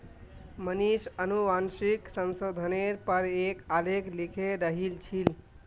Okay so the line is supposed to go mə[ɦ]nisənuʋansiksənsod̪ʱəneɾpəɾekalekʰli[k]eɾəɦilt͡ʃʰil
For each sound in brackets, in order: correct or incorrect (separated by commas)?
incorrect, incorrect